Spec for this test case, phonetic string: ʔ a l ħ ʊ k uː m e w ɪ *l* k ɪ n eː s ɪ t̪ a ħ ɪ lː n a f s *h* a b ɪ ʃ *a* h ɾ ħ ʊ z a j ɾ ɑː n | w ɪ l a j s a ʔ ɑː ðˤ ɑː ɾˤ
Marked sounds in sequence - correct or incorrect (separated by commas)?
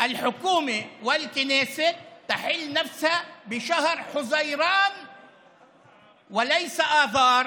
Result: correct, correct, correct